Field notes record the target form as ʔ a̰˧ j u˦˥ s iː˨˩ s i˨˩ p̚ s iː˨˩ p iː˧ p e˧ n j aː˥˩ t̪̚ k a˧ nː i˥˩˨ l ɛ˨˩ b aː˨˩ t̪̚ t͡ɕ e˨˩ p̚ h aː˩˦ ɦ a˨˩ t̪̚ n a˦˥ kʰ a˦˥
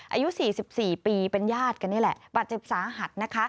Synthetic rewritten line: ʔ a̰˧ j u˦˥ s iː˨˩ s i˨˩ p̚ s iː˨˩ p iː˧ p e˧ n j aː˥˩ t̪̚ k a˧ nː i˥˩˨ l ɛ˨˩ b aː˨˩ t̪̚ t͡ɕ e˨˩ p̚ s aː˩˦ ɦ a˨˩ t̪̚ n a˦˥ kʰ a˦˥

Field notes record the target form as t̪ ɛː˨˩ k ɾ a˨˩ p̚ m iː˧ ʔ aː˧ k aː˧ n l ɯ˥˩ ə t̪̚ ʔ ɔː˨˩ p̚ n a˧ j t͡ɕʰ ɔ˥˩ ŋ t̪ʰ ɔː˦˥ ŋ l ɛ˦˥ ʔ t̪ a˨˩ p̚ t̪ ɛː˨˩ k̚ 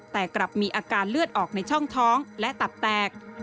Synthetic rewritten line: t̪ ɛː˨˩ k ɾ a˨˩ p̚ m iː˧ ʔ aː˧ k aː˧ n l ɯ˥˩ ə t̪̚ ʔ ɔː˨˩ k̚ n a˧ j t͡ɕʰ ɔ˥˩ ŋ t̪ʰ ɔː˦˥ ŋ l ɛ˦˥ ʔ t̪ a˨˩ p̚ t̪ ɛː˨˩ k̚

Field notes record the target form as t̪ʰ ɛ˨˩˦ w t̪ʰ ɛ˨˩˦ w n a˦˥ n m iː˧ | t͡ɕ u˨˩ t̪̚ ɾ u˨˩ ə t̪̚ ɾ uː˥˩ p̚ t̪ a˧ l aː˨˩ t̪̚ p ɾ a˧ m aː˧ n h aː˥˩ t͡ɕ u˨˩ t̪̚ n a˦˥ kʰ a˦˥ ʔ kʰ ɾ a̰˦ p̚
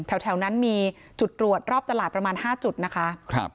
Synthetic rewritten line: t̪ʰ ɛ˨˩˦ w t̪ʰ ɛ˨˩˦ w n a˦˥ n m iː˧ | t͡ɕ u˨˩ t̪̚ ɾ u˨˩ ə t̪̚ ɾ ɔː˥˩ p̚ t̪ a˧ l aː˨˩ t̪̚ p ɾ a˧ m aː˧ n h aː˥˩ t͡ɕ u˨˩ t̪̚ n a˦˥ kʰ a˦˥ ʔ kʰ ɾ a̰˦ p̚

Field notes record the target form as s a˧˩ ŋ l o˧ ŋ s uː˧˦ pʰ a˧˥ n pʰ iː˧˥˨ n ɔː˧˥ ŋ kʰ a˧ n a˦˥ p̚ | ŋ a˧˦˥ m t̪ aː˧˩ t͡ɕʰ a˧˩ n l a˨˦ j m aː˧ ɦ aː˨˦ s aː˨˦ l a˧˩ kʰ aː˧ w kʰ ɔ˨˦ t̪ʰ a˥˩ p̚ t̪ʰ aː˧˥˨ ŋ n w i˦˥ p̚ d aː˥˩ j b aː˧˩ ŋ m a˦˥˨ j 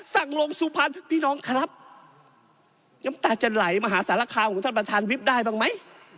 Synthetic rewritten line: s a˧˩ ŋ l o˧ ŋ s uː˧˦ pʰ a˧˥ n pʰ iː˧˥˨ n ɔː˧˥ ŋ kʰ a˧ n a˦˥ p̚ | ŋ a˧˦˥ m t̪ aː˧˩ t͡ɕ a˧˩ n l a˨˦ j m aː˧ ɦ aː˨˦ s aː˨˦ l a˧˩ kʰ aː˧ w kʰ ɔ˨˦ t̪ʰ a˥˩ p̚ t̪ʰ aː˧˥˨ n w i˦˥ p̚ d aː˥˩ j b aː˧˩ ŋ m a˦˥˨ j

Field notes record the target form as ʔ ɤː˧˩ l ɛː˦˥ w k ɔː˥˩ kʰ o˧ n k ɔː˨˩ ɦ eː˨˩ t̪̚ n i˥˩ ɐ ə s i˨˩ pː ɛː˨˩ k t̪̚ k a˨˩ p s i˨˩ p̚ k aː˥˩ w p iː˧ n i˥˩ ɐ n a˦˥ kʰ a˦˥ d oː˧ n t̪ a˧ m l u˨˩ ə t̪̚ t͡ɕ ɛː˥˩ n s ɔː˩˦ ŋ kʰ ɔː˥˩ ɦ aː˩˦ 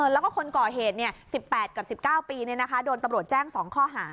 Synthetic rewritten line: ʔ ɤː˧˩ l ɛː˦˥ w k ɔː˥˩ kʰ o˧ n k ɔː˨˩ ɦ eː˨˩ t̪̚ n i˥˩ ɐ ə s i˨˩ pː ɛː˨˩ t̪̚ k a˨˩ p s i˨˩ p̚ k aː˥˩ w p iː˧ n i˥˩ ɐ n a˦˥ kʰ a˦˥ d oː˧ n t̪ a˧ m ɾ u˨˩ ə t̪̚ t͡ɕ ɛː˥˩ ŋ s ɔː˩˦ ŋ kʰ ɔː˥˩ ɦ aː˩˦

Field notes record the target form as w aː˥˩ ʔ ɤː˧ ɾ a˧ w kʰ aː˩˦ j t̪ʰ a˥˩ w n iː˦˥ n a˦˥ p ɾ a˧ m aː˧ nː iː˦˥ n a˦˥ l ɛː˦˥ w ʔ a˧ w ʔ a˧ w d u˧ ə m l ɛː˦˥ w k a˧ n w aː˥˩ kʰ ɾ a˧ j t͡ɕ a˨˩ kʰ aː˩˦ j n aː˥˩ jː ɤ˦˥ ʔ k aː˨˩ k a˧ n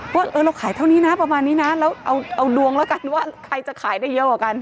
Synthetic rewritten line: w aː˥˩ ʔ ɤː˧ ɾ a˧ w kʰ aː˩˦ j t̪ʰ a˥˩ w n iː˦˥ n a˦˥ p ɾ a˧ m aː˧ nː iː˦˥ n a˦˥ l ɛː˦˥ w ʔ a˧ w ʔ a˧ w d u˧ ə ŋ l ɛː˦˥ w k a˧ n w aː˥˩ kʰ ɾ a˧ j t͡ɕ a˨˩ kʰ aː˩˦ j d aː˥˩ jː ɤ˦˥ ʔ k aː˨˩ k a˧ n

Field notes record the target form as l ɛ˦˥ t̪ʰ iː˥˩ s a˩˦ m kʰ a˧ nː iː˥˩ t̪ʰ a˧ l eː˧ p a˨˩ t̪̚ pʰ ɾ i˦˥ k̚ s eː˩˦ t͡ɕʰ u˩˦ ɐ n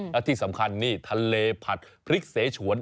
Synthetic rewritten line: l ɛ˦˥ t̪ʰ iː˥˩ s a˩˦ m kʰ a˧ nː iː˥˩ t̪ʰ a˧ l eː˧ pʰ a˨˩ t̪̚ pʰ ɾ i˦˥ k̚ s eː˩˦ t͡ɕʰ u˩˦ ə n

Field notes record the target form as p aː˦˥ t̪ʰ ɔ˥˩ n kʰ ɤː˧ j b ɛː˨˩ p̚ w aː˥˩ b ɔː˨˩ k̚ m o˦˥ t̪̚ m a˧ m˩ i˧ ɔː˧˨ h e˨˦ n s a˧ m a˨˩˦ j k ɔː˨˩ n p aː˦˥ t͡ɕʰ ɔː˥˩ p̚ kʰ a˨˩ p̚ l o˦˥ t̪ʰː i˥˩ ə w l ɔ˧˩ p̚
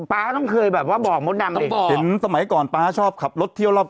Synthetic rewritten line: p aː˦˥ t̪ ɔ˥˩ ŋ kʰ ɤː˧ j b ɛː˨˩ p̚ w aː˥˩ b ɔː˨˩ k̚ m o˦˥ t̪̚ n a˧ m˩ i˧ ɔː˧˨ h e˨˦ n s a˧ m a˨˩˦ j k ɔː˨˩ n p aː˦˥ t͡ɕʰ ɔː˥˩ p̚ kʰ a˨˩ p̚ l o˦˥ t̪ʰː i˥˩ ə w l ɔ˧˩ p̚

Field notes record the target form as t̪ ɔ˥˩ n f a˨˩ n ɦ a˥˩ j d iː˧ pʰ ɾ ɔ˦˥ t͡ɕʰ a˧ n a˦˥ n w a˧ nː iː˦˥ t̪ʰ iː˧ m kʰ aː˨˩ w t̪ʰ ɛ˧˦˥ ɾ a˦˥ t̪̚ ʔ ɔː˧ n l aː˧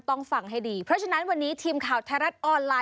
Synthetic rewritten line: t̪ ɔ˥˩ ŋ f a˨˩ ŋ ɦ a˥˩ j d iː˧ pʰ ɾ ɔ˦˥ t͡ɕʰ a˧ n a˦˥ n w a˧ nː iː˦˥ t̪ʰ iː˧ m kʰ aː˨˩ w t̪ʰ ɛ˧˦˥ ɾ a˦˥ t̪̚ ʔ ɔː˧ n l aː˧

